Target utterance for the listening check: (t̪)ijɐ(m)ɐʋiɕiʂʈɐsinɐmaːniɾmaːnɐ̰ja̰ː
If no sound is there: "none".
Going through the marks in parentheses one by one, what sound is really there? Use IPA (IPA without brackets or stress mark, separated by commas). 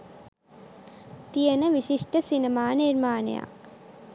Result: t̪, n